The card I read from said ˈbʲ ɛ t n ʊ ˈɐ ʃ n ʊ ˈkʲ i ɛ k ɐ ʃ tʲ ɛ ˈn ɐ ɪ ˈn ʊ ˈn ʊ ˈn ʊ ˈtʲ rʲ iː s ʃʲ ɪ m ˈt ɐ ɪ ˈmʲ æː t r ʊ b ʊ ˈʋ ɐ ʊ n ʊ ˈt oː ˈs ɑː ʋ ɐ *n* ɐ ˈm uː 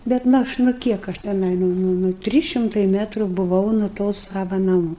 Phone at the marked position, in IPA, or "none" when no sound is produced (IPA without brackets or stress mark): n